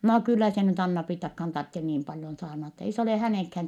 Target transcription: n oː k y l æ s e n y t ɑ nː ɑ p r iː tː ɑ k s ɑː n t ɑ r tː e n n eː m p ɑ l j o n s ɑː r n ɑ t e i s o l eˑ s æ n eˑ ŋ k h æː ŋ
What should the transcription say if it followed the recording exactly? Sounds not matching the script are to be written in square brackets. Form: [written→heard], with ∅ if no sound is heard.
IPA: n oː k y [l→lː] æ s e n y t ɑ nː ɑ p r iː tː ɑ k [s→h] ɑː n t ɑ r tː e n n [eː→iː] m p ɑ l j o n s ɑː r n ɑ t e i s o l eˑ [s→h] æ n eˑ ŋ k h æː ŋ